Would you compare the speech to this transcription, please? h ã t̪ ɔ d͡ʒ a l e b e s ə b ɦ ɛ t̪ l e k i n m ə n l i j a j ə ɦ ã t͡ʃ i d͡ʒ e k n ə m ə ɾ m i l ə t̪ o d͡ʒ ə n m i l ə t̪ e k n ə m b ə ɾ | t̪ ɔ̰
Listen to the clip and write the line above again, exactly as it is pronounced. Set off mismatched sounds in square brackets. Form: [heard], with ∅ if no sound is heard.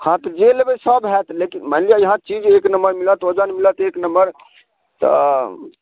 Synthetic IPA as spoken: h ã t̪ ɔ d͡ʒ [e] l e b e s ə b ɦ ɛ t̪ l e k i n m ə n l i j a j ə ɦ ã t͡ʃ i d͡ʒ e k n ə m ə ɾ m i l ə t̪ o d͡ʒ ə n m i l ə t̪ e k n ə m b ə ɾ | t̪ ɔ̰